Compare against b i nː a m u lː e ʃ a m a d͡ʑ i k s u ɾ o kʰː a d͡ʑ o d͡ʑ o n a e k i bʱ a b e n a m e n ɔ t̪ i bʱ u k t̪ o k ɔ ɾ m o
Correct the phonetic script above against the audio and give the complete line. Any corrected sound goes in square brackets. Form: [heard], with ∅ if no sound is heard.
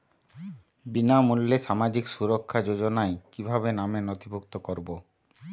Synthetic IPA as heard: b i [n] a m u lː e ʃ a m a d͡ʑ i k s u ɾ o kʰː a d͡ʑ o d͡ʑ o n a e k i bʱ a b e n a m e n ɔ t̪ i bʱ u k t̪ o k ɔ ɾ [b] o